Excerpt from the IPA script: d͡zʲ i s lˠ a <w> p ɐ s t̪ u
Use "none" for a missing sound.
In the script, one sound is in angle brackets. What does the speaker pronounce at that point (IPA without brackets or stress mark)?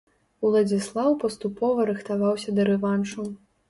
w